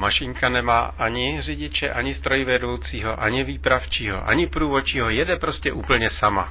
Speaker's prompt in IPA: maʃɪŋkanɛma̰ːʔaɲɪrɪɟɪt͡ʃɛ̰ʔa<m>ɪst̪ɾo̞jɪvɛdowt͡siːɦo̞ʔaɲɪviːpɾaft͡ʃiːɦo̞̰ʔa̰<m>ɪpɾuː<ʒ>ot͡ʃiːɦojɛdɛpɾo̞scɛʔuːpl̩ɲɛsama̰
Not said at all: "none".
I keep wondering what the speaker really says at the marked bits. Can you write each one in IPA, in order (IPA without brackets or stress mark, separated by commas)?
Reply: ɲ, ɲ, v